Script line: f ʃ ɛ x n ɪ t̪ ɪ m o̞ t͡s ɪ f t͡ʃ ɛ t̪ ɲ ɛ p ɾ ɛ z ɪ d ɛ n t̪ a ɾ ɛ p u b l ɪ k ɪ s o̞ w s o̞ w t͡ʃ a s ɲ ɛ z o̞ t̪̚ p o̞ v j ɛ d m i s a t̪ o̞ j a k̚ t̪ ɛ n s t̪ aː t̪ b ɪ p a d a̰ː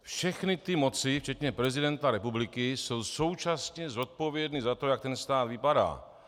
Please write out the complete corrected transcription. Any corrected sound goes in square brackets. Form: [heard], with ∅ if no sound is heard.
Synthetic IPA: f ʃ ɛ x n ɪ t̪ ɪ m o̞ t͡s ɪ f t͡ʃ ɛ t̪ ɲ ɛ p ɾ ɛ z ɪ d ɛ n t̪ a ɾ ɛ p u b l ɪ k ɪ s o̞ w s o̞ w t͡ʃ a s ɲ ɛ z o̞ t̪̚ p o̞ v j ɛ d [n] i [z] a t̪ o̞ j a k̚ t̪ ɛ n s t̪ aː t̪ [v] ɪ p a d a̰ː